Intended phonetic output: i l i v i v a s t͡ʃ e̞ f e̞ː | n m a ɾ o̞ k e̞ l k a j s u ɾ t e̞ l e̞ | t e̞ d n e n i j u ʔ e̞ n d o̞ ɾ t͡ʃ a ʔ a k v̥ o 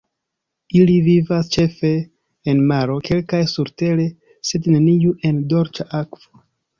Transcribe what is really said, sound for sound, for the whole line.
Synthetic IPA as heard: i l i v i v a s t͡ʃ e̞ f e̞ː | n m a ɾ o̞ k e̞ l k a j s u ɾ t e̞ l e̞ | s e̞ d n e n i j u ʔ e̞ n d o̞ ɾ t͡ʃ a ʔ a k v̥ o